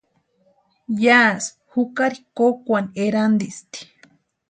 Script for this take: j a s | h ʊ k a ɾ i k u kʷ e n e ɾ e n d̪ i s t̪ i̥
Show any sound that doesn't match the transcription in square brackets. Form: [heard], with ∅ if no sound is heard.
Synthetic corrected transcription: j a s | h [u] k a ɾ i k [o] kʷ [a] n e ɾ [a] n d̪ i s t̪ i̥